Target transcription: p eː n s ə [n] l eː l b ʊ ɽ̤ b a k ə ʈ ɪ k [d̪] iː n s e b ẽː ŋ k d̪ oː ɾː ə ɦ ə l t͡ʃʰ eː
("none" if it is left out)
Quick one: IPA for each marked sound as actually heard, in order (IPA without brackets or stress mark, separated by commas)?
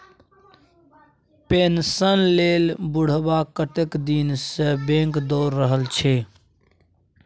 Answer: n, d̪